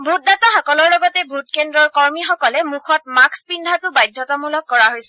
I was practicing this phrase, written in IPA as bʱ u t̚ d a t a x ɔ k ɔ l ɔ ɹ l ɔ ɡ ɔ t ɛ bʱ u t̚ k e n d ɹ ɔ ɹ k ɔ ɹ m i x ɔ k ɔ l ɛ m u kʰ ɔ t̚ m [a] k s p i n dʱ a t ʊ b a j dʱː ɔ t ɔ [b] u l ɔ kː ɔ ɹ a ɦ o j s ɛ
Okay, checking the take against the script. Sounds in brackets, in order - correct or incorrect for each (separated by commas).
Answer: correct, incorrect